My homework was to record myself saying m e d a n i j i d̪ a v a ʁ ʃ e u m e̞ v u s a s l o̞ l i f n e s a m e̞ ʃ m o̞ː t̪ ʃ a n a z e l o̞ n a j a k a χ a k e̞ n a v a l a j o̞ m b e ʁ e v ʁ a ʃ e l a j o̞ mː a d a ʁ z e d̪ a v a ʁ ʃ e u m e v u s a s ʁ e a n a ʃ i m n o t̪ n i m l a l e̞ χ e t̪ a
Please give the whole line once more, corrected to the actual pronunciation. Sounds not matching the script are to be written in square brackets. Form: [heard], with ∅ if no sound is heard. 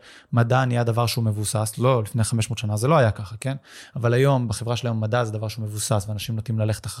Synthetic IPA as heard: m [a] d a n i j [a] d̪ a v a ʁ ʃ e u m e̞ v u s a s l o̞ l i f n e [χ] a m e̞ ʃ m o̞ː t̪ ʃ a n a z e l o̞ [∅] a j a k a χ a k e̞ n a v a l a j o̞ m b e [χ] e v ʁ a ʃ e l a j o̞ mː a d a [∅] z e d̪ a v a ʁ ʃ e u m e v u s a s [v] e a n a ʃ i m n o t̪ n i m l a l e̞ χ e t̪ a